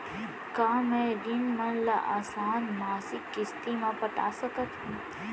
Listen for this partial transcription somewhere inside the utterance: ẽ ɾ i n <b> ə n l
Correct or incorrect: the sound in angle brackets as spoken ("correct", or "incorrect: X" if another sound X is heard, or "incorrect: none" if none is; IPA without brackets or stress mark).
incorrect: m